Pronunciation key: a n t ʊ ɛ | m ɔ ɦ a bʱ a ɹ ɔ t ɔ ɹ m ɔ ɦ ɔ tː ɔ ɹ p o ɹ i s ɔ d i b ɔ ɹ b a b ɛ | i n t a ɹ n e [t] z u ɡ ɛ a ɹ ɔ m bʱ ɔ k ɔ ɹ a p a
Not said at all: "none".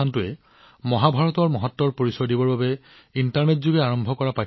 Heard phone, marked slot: t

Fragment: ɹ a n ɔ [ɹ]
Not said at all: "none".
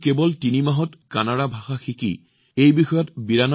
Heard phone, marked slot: none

